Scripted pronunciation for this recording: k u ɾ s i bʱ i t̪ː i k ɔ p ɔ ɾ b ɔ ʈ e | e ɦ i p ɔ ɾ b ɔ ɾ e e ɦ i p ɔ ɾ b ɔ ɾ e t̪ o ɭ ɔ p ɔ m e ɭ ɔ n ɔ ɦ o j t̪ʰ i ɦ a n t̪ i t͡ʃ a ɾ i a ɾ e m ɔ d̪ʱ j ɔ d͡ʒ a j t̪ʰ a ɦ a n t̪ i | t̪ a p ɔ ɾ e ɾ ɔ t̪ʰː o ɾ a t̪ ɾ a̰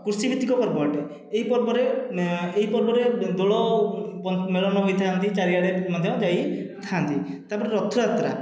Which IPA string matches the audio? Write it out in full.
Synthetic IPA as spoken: k u ɾ s i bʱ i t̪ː i k ɔ p ɔ ɾ b ɔ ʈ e | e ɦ i p ɔ ɾ b ɔ ɾ e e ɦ i p ɔ ɾ b ɔ ɾ e d̪ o ɭ ɔ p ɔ m e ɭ ɔ n ɔ ɦ o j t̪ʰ a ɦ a n t̪ i t͡ʃ a ɾ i a ɽ e m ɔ d̪ʱ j ɔ d͡ʒ a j t̪ʰ a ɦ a n t̪ i | t̪ a p ɔ ɾ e ɾ ɔ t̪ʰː u ɾ a t̪ ɾ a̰

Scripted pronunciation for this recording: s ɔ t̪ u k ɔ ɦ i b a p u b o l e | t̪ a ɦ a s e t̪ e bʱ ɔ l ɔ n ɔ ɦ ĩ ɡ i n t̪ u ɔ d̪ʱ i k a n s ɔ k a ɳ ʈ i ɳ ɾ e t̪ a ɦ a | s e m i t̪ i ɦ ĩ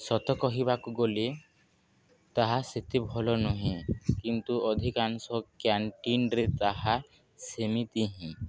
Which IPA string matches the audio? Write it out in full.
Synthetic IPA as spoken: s ɔ t̪ ɔ k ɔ ɦ i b a k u ɡ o l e | t̪ a ɦ a s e t̪ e bʱ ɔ l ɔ n ɔ ɦ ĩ k i n t̪ u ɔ d̪ʱ i k a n s ɔ k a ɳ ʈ i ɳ ɾ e t̪ a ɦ a | s e m i t̪ i ɦ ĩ

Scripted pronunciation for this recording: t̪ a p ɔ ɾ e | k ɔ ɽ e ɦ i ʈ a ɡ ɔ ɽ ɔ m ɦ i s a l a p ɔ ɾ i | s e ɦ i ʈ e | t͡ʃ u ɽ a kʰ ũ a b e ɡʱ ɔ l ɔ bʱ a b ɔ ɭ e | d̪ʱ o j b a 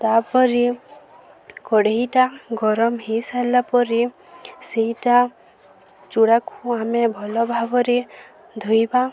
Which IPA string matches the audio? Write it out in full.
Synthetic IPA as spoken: t̪ a p ɔ ɾ i | k ɔ ɽ e ɦ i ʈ a ɡ ɔ ɾ ɔ m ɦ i s a l a p ɔ ɾ i | s e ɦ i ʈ a | t͡ʃ u ɽ a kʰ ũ a m e bʱ ɔ l ɔ bʱ a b ɔ ɾ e | d̪ʱ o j b a

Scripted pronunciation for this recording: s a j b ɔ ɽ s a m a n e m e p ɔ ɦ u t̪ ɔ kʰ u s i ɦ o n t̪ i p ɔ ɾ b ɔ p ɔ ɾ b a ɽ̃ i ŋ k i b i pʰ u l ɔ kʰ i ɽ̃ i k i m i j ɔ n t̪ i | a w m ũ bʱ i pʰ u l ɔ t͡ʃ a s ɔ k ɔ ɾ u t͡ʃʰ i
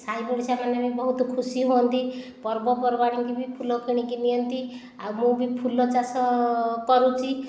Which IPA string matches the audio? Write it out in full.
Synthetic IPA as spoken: s a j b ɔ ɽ s a m a n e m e b ɔ ɦ u t̪ ɔ kʰ u s i ɦ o n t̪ i p ɔ ɾ b ɔ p ɔ ɾ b a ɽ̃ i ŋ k i b i pʰ u l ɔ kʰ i ɽ̃ i k i n i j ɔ n t̪ i | a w m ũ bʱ i pʰ u l ɔ t͡ʃ a s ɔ k ɔ ɾ u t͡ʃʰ i

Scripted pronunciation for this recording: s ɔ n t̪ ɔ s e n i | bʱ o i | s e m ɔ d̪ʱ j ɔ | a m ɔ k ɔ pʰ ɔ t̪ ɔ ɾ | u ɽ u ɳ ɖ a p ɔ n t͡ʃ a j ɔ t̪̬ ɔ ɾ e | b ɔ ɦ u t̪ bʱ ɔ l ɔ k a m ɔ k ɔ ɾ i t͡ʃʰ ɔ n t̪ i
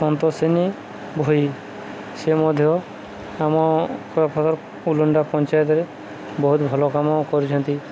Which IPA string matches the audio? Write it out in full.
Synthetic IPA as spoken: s ɔ n t̪ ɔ s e n i | bʱ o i | s e m ɔ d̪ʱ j ɔ | a m ɔ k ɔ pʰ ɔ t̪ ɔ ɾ | u l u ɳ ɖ a p ɔ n t͡ʃ a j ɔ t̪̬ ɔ ɾ e | b ɔ ɦ u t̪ bʱ ɔ l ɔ k a m ɔ k ɔ ɾ i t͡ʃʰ ɔ n t̪ i

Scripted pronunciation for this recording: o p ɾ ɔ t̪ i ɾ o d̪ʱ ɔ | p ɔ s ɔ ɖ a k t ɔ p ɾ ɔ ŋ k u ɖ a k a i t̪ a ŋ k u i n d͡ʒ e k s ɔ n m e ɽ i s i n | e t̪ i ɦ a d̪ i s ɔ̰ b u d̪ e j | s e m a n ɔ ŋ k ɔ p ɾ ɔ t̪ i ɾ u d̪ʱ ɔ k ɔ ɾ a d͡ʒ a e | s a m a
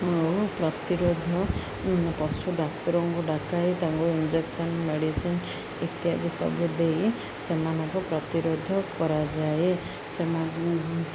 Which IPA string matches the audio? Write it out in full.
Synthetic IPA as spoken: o p ɾ ɔ t̪ i ɾ o d̪ʱ ɔ | p ɔ s u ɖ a k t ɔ ɾ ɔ ŋ k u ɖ a k a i t̪ a ŋ k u i n d͡ʒ e k s ɔ n m e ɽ i s i n | e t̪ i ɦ a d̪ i s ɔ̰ b u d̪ e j | s e m a n ɔ ŋ k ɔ p ɾ ɔ t̪ i ɾ o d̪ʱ ɔ k ɔ ɾ a d͡ʒ a e | s e m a

